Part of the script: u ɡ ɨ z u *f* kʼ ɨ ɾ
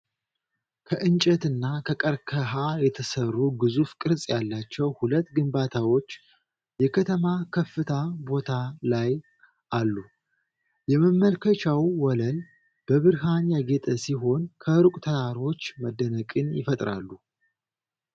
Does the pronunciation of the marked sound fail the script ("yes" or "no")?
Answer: no